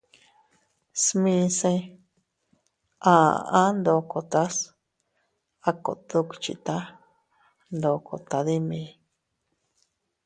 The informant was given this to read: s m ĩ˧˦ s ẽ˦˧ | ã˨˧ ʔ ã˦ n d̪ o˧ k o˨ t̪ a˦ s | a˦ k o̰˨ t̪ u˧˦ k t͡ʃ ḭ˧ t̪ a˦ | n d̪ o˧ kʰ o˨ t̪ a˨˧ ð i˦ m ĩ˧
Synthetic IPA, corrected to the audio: s m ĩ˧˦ s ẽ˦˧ | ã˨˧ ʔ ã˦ n d̪ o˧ k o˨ t̪ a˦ s | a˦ k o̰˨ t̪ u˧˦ k t͡ʃ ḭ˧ t̪ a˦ | n d̪ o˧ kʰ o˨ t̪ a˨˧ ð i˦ m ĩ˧